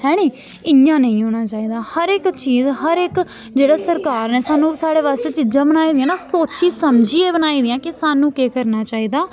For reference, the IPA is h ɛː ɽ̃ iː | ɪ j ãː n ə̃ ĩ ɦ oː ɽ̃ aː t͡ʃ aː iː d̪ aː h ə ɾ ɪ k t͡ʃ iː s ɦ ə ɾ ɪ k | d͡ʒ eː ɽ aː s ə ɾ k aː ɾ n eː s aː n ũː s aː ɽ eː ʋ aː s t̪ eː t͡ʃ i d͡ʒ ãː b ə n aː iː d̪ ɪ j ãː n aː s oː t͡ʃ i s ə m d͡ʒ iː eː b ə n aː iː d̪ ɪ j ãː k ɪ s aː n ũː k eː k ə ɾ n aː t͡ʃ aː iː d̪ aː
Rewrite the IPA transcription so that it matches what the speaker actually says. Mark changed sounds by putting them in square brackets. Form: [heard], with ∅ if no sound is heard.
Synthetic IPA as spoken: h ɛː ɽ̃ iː | ɪ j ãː n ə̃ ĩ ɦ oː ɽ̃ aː t͡ʃ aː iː d̪ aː h ə ɾ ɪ k t͡ʃ iː [z] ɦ ə ɾ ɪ k | d͡ʒ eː ɽ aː s ə ɾ k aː ɾ n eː s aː n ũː s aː ɽ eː ʋ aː s t̪ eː t͡ʃ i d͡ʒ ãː b ə n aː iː d̪ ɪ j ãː n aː s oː t͡ʃ [iː] s ə m d͡ʒ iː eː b ə n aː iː d̪ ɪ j ãː k ɪ s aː n ũː k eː k ə ɾ n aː t͡ʃ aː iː d̪ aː